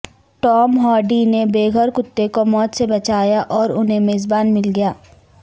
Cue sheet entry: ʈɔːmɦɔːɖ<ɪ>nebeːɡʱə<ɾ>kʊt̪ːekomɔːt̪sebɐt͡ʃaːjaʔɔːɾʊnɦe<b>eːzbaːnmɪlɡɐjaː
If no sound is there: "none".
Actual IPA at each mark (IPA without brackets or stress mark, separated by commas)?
i, ɾ, m